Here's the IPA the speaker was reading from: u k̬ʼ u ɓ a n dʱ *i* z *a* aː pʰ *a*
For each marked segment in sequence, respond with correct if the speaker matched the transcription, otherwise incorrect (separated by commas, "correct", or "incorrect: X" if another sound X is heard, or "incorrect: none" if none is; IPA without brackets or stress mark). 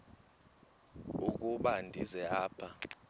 correct, incorrect: ɛ, correct